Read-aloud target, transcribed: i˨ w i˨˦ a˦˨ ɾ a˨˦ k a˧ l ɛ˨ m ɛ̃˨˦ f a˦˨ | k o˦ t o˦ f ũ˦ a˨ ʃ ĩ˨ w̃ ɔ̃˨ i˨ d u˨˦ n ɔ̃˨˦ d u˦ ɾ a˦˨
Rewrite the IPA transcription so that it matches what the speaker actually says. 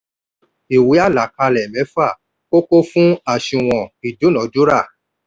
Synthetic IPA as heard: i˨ w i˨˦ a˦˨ l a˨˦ k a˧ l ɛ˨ m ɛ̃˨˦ f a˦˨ | k o˦ k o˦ f ũ˦ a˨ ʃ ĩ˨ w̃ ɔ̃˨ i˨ d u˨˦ n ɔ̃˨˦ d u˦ ɾ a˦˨